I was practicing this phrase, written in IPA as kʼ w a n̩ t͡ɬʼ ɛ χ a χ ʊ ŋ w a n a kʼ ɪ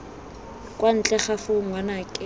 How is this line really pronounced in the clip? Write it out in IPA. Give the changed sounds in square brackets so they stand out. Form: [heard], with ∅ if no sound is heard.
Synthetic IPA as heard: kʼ w a n̩ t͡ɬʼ ɛ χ a [f] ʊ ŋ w a n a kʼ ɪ